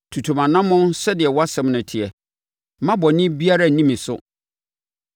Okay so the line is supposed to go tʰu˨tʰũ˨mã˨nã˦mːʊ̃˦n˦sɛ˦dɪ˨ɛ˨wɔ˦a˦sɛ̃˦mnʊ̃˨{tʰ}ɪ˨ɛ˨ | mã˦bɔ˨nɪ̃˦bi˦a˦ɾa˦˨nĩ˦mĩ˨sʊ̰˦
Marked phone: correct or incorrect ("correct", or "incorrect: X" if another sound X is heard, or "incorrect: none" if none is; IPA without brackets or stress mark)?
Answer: correct